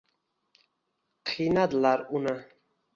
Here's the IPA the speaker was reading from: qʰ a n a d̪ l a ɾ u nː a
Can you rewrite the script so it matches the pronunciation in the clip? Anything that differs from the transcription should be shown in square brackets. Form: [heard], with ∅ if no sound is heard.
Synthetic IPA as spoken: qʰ [i] n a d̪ l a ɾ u [n] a